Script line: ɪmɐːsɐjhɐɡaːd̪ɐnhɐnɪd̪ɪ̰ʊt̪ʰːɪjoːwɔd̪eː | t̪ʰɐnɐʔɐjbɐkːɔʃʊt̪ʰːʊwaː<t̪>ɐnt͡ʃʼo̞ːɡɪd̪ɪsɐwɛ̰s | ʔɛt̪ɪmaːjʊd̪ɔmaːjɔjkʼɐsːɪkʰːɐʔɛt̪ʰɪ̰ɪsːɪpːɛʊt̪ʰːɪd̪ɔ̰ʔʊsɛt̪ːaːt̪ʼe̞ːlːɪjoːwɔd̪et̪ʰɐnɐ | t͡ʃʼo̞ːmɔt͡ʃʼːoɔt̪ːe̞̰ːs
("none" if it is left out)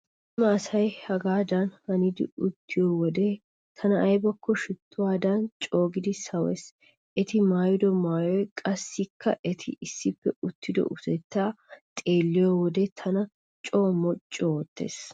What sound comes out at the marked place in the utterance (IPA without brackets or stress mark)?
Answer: d̪